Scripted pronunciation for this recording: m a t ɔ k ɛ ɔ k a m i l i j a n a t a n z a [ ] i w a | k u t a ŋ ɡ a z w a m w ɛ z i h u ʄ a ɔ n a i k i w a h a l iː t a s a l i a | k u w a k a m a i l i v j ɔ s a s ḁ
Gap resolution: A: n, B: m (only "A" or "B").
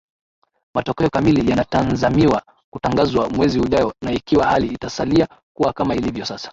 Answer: B